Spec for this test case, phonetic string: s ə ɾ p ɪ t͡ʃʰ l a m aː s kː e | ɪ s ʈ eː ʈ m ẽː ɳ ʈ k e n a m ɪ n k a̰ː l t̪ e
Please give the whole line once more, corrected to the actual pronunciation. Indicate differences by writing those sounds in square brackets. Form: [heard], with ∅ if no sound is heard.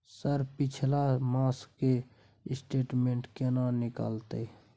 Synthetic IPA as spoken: s ə ɾ p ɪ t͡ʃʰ l a m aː s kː e | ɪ s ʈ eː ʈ m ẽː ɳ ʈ k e n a [n] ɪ [∅] k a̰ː l t̪ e